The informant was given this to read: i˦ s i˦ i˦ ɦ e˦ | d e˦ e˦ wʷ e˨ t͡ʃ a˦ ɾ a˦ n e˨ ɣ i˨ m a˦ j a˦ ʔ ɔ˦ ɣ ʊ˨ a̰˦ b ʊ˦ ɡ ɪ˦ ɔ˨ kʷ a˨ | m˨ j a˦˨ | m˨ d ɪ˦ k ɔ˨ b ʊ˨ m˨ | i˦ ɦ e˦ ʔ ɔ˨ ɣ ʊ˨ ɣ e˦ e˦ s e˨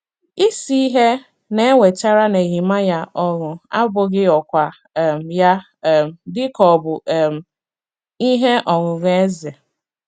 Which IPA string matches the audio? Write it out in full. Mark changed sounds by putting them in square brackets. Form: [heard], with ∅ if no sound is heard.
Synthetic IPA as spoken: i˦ s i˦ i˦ ɦ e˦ | [n] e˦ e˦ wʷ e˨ t͡ʃ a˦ ɾ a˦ n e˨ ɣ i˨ m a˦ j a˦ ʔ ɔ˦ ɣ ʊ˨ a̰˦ b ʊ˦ ɡ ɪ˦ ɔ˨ kʷ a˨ | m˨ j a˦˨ | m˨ d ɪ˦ k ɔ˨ b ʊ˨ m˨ | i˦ ɦ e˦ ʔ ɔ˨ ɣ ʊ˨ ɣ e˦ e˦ [z] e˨